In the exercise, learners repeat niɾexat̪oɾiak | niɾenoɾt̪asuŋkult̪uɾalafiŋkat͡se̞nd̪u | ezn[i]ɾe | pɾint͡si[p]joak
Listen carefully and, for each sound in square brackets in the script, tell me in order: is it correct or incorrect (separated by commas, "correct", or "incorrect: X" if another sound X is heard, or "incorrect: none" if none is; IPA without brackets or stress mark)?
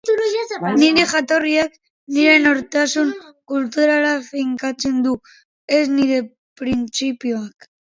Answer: correct, correct